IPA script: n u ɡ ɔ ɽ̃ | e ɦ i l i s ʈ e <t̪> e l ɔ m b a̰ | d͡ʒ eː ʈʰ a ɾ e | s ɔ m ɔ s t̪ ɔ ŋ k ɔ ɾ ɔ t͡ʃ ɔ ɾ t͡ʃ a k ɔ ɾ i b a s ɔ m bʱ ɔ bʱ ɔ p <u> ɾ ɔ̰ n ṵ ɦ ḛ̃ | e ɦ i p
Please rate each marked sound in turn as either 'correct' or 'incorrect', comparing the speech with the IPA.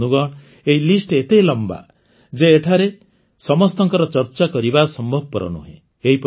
correct, incorrect: ɔ

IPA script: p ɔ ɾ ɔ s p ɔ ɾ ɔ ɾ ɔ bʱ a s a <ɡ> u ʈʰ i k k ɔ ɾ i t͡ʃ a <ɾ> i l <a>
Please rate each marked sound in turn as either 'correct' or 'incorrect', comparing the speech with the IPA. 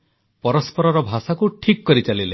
incorrect: k, incorrect: l, incorrect: e

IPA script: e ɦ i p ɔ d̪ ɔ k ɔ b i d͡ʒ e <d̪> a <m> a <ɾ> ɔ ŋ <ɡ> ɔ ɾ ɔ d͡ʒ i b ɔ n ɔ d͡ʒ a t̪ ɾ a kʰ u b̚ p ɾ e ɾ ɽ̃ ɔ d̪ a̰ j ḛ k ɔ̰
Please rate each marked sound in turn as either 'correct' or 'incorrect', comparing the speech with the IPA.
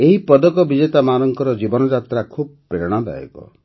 incorrect: t̪, correct, correct, incorrect: k

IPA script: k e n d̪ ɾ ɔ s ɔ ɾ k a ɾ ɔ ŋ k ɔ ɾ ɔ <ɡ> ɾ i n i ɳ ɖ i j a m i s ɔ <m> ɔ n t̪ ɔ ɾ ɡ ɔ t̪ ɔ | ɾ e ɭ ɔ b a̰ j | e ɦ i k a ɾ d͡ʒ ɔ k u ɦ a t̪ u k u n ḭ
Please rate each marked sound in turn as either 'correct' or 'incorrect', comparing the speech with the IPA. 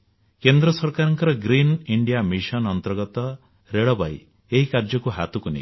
correct, incorrect: n

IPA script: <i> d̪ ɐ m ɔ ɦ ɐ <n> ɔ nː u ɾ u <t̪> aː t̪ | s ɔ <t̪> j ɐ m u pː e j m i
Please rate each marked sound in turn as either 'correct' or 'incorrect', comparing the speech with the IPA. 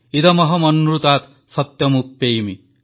correct, incorrect: m, correct, correct

